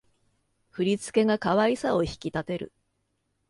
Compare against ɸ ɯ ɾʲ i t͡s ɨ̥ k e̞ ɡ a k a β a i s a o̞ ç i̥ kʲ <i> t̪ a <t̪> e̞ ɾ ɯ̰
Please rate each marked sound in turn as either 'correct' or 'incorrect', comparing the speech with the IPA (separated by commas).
correct, correct